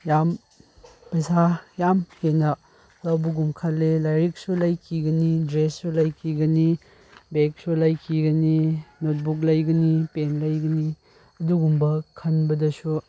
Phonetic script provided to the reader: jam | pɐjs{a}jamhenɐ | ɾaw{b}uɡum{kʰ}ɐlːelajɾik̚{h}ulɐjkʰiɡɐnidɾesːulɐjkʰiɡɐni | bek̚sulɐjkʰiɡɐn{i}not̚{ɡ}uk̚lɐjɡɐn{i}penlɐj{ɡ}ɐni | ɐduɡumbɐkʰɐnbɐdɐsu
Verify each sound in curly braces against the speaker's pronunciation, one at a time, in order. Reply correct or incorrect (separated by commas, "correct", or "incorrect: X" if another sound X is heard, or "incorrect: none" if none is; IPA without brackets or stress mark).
correct, correct, correct, incorrect: s, correct, incorrect: b, correct, correct